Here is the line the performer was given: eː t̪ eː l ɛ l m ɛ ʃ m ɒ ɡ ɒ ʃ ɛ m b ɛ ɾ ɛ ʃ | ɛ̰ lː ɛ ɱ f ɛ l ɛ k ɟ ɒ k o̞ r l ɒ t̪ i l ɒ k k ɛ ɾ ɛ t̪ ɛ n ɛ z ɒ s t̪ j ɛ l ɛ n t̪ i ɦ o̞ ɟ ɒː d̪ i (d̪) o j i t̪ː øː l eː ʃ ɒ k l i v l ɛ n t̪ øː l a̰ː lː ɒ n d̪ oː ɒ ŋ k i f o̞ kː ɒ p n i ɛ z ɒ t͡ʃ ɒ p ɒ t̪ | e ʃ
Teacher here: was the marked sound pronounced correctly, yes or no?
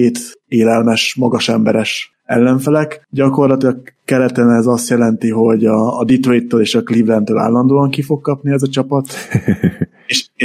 no